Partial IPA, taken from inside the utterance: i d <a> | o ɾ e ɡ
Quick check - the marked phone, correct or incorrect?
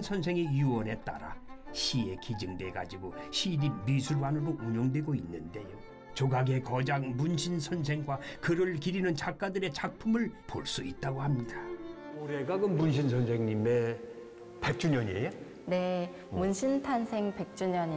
correct